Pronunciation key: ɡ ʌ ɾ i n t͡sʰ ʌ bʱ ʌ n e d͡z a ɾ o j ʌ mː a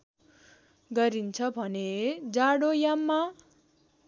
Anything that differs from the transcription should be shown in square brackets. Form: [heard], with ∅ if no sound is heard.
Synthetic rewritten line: ɡ ʌ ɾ i n t͡sʰ ʌ bʱ ʌ n e d͡z a [ɽ] o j [a] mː a